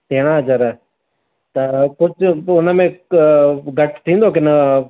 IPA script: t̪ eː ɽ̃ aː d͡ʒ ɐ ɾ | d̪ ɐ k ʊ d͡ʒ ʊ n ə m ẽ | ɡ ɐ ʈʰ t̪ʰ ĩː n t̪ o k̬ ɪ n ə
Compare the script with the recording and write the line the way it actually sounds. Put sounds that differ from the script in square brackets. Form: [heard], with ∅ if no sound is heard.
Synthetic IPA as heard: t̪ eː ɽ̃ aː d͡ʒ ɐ ɾ | [t̪] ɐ k ʊ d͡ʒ ʊ n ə m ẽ | ɡ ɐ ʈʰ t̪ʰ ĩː n [d̪] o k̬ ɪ n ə

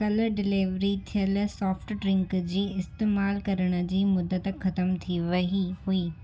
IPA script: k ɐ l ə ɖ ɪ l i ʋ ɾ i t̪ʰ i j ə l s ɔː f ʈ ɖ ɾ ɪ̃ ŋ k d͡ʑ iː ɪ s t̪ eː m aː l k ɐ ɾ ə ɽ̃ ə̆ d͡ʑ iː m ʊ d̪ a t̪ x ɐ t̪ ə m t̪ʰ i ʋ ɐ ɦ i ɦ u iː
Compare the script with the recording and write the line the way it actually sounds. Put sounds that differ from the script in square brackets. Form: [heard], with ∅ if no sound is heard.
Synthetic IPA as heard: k ɐ l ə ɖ ɪ l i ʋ ɾ i t̪ʰ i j ə l s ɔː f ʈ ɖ ɾ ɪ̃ ŋ k d͡ʑ iː ɪ s t̪ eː m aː l k ɐ ɾ ə ɽ̃ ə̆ d͡ʑ iː m ʊ d̪ [ə] t̪ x ɐ t̪ ə m t̪ʰ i ʋ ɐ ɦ i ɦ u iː

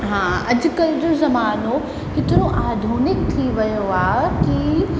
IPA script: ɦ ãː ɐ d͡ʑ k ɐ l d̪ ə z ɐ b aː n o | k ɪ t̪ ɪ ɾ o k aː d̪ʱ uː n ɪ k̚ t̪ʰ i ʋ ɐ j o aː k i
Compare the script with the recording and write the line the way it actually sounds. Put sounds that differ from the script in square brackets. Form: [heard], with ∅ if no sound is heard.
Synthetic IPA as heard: ɦ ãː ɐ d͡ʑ k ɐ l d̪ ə z ɐ [m] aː n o | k ɪ t̪ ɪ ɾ o [ʔ] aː d̪ʱ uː n ɪ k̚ t̪ʰ i ʋ ɐ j o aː k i

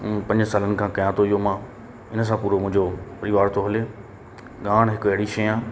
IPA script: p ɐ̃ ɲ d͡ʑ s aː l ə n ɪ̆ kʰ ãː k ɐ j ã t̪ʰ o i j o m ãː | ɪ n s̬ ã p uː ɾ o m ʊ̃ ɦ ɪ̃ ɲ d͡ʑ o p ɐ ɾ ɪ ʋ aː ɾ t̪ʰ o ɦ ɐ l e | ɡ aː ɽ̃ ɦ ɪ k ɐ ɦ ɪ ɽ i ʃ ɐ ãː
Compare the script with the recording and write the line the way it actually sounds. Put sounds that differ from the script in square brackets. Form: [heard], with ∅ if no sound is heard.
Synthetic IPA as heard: p ɐ̃ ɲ d͡ʑ s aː l ə n ɪ̆ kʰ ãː k ɐ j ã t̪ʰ o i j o m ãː | ɪ n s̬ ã p uː ɾ o m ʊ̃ ɦ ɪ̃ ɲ d͡ʑ o p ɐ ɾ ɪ ʋ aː ɾ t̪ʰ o ɦ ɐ l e | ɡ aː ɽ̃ ɦ ɪ k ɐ ɦ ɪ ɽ i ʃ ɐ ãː

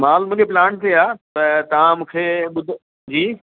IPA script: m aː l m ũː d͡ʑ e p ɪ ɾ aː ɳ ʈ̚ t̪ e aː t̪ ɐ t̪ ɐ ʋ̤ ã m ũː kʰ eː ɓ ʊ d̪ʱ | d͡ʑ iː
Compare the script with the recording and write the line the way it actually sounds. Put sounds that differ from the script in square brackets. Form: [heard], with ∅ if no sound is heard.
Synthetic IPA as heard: m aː l m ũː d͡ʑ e p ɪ [l] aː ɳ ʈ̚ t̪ e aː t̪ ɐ t̪ ɐ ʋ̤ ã m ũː kʰ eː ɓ ʊ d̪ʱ | d͡ʑ iː

